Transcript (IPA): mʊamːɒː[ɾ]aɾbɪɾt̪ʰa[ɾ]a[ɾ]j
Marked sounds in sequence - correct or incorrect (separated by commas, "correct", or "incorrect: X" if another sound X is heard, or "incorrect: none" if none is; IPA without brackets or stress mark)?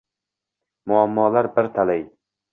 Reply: incorrect: l, incorrect: l, incorrect: none